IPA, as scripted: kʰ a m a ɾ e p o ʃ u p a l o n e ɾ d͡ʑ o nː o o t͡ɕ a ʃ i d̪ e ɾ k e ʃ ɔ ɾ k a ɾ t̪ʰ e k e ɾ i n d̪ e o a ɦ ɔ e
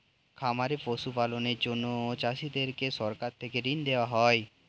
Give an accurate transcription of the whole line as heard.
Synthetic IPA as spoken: kʰ a m a ɾ e p o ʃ u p a l o n e ɾ d͡ʑ o nː o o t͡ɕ a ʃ i d̪ e ɾ k e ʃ ɔ ɾ k a ɾ t̪ʰ e k e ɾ i n d̪ e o a ɦ ɔ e

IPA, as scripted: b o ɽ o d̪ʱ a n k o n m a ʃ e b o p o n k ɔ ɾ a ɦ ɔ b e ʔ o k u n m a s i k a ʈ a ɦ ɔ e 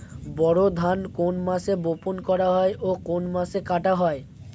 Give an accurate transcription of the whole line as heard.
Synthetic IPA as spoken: b ɔ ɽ o d̪ʱ a n k o n m a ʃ e b o p o n k ɔ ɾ a ɦ ɔ e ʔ o k o n m a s e k a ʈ a ɦ ɔ e

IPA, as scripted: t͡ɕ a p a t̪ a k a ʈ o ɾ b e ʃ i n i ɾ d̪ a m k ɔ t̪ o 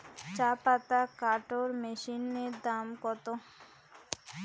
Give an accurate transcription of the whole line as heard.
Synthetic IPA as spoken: t͡ɕ a p a t̪ a k a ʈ o ɾ m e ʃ i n e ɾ d̪ a m k ɔ t̪ o

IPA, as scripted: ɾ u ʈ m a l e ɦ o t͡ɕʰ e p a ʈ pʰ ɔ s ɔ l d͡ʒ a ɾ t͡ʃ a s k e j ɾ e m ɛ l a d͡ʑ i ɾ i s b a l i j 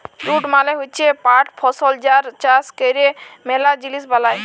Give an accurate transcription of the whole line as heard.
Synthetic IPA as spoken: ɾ u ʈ m a l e ɦ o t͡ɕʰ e p a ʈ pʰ ɔ s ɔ l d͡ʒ a ɾ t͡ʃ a s k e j ɾ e m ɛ l a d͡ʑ i l i s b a l a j

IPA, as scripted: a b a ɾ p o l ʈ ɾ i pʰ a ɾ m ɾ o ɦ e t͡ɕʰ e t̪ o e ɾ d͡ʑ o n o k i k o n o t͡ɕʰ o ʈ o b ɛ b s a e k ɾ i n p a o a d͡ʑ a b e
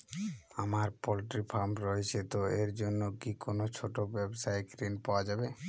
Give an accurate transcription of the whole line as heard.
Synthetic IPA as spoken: a m a ɾ p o l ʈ ɾ i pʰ a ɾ m ɾ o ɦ e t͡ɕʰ e t̪ o e ɾ d͡ʑ o nː o k i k o n o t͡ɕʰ o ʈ o b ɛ b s a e k ɾ i n p a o a d͡ʑ a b e

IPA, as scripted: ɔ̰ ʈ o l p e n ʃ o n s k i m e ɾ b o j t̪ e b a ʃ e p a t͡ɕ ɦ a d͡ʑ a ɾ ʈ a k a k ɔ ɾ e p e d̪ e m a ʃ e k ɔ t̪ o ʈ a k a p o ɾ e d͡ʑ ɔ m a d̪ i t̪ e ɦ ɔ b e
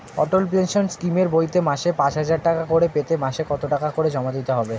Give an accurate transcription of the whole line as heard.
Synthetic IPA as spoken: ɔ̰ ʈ o l p e n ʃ o n s k i m e ɾ b o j t̪ e m a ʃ e p a t͡ɕ ɦ a d͡ʑ a ɾ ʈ a k a k o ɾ e p e t̪ e m a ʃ e k ɔ t̪ o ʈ a k a k o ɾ e d͡ʑ ɔ m a d̪ i t̪ e ɦ ɔ b e

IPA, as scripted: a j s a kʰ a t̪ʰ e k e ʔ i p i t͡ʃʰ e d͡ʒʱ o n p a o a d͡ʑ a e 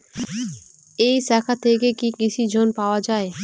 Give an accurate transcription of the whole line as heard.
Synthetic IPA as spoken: e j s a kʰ a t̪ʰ e k e k i k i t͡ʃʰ i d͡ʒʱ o n p a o a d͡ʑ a e

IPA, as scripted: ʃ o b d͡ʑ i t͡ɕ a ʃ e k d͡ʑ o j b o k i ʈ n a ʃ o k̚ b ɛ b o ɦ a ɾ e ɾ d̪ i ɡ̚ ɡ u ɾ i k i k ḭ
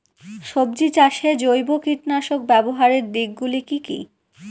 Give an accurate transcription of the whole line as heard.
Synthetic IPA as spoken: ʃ o b d͡ʑ i t͡ɕ a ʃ e d͡ʑ o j b o k i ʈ n a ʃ o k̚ b ɛ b o ɦ a ɾ e ɾ d̪ i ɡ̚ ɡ u l i k i k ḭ

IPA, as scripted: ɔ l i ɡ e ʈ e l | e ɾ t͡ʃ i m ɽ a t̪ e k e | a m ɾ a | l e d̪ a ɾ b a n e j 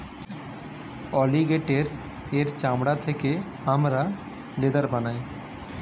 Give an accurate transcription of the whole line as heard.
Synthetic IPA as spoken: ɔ l i ɡ e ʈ e ɾ | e ɾ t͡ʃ a m ɽ a t̪ʰ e k e | a m ɾ a | l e d̪ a ɾ b a n a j

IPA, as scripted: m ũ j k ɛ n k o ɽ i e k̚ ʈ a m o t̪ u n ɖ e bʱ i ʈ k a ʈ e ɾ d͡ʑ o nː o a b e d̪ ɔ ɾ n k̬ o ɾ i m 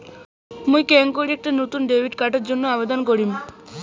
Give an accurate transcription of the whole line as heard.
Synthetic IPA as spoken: m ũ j k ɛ ŋ k o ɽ i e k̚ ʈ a n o t̪ u n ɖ e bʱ i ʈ k a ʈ e ɾ d͡ʑ o nː o a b e d̪ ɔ n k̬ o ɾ i m

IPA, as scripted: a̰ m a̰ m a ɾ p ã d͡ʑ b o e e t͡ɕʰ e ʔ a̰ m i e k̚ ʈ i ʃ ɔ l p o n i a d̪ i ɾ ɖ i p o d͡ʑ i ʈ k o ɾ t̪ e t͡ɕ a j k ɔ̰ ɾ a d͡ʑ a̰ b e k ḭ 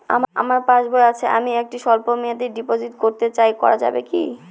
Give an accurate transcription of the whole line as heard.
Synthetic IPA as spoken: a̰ m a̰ m a ɾ p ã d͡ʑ b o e a t͡ɕʰ e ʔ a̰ m i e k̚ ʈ i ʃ ɔ l p o m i a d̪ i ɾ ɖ i p o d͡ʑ i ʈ k o ɾ t̪ e t͡ɕ a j k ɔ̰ ɾ a d͡ʑ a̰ b e k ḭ

